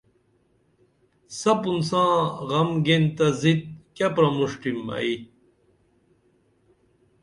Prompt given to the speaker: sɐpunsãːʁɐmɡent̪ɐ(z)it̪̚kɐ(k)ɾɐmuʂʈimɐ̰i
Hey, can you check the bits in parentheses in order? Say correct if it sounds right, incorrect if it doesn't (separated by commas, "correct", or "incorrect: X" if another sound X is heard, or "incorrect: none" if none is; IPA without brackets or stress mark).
correct, incorrect: p